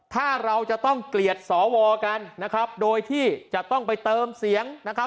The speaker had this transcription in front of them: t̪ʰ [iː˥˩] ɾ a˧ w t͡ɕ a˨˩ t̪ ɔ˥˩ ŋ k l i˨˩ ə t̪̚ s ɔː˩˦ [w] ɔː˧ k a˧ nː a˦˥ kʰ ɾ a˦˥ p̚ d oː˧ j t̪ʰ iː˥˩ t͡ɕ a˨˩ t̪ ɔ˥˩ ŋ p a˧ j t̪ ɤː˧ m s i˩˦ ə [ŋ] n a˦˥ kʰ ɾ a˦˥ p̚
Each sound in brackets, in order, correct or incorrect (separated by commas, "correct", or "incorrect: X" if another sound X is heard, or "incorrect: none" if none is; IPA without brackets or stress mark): incorrect: aː˥˩, correct, correct